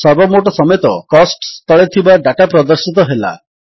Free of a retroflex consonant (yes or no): no